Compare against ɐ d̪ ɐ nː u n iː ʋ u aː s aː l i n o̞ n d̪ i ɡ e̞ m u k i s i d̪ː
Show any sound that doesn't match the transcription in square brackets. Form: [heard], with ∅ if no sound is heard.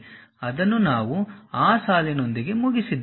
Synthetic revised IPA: ɐ d̪ ɐ nː u n [aː] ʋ u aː s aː l i n o̞ n d̪ i ɡ e̞ m u [ɡ] i s i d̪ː